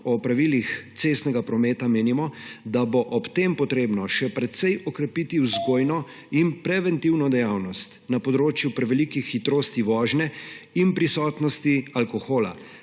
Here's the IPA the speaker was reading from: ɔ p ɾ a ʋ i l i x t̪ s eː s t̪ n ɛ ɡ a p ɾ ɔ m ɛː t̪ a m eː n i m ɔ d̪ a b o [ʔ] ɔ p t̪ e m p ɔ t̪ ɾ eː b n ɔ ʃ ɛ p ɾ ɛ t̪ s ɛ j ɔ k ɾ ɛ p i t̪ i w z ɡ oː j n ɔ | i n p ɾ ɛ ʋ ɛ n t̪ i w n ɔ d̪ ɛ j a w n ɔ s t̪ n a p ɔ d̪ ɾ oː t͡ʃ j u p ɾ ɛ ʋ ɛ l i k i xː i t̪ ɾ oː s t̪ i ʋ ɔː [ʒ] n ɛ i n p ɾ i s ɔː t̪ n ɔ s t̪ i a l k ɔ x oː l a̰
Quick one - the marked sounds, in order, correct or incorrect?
correct, correct

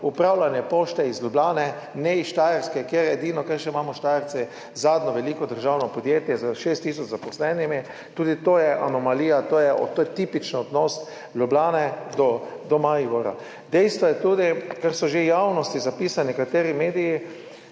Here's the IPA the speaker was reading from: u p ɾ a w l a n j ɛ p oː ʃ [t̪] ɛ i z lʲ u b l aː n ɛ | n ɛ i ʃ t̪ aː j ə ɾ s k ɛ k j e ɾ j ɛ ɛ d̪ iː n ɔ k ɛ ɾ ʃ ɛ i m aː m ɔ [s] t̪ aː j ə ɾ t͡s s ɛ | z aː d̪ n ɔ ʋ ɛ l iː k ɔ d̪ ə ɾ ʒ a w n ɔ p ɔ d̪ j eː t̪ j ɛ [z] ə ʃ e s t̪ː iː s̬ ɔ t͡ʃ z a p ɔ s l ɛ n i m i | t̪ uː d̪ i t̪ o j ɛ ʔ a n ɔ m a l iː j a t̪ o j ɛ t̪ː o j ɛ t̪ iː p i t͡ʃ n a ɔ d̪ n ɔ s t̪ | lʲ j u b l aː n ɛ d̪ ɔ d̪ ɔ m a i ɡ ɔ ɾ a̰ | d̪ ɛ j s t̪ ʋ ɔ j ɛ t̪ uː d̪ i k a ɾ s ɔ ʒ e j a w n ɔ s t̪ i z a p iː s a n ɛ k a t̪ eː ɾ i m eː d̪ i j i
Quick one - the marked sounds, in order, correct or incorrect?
correct, incorrect, correct

